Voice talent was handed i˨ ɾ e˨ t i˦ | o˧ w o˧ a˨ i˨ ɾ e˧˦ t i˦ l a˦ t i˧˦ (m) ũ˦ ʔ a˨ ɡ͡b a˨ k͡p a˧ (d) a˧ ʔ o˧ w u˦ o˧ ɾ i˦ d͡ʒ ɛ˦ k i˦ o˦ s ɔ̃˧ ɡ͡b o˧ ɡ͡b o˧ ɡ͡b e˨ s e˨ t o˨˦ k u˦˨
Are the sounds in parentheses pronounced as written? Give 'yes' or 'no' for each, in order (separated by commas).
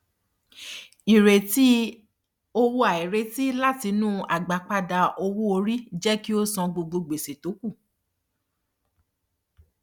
no, yes